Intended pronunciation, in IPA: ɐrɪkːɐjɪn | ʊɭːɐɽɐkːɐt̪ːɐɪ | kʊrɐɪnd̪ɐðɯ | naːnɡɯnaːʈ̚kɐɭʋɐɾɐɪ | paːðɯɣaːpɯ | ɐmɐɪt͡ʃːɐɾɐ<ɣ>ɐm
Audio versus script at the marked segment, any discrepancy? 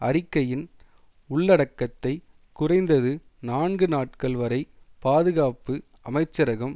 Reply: no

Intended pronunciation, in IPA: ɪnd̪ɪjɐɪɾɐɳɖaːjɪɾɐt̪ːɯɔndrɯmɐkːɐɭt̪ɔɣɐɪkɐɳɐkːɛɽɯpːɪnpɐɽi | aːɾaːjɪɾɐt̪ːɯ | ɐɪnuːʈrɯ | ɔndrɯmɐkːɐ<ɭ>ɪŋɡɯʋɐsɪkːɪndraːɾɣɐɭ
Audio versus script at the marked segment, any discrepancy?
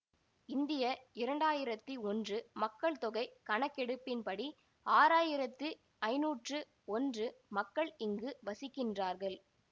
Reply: no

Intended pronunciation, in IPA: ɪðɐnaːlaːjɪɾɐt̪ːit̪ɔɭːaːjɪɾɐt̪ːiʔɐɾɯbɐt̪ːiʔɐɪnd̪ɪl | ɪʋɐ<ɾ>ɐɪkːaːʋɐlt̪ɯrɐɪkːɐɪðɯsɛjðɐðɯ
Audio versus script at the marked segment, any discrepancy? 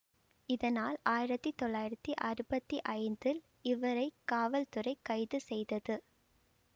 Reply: no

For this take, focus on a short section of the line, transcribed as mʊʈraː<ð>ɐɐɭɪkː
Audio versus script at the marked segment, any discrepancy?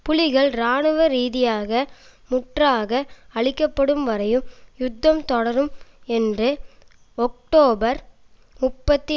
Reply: yes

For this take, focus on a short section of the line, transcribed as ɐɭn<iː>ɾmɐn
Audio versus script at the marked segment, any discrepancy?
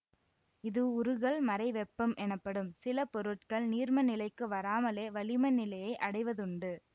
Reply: no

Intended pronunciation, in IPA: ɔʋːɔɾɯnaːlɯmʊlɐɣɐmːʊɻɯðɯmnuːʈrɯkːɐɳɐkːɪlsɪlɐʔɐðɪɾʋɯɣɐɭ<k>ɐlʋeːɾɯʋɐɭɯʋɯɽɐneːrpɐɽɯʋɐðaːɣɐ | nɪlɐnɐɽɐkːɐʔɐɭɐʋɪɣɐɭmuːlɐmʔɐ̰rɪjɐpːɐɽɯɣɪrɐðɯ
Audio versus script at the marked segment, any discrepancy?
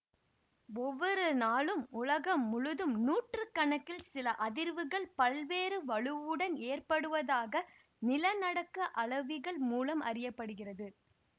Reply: yes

